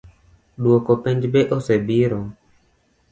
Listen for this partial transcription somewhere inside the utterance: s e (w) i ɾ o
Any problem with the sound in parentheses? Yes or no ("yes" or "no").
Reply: yes